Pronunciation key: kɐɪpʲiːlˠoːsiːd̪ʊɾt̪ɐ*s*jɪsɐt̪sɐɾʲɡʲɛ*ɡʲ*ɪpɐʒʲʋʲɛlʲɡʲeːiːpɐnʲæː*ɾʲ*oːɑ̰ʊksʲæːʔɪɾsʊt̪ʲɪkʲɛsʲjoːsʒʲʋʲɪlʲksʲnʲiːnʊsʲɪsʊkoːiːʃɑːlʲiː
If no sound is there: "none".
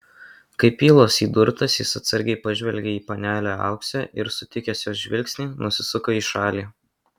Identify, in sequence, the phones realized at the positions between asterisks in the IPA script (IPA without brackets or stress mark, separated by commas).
s, none, lʲ